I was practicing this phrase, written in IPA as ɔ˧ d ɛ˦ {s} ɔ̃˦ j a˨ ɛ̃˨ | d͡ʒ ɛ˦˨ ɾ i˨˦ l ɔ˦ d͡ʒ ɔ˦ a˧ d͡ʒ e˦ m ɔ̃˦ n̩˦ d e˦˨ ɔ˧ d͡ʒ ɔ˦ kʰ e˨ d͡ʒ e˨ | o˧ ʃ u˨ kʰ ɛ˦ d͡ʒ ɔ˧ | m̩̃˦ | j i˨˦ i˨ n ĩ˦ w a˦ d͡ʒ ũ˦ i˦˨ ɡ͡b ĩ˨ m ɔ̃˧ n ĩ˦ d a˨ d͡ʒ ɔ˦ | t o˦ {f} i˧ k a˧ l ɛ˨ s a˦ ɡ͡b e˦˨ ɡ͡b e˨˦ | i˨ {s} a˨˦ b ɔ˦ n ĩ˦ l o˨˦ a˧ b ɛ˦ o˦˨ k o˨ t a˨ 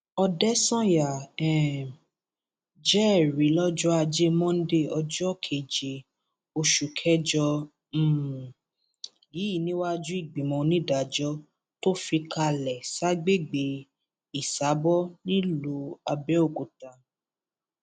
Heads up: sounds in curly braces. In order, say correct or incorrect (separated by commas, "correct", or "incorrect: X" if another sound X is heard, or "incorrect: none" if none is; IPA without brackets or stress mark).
correct, correct, correct